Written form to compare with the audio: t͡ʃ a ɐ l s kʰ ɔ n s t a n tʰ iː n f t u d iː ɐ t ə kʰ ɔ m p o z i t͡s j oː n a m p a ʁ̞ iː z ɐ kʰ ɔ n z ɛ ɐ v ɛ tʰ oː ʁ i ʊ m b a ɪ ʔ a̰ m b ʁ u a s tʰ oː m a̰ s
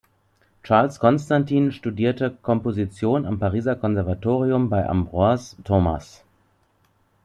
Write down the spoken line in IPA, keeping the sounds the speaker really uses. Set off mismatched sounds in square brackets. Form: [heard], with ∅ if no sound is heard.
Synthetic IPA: t͡ʃ a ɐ l s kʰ ɔ n s t a n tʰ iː n [ʃ] t u d iː ɐ t ə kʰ ɔ m p o z i t͡s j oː n a m p a ʁ̞ iː z ɐ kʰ ɔ n z ɛ ɐ v [a] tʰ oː ʁ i ʊ m b a ɪ ʔ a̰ m b ʁ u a s tʰ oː m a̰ s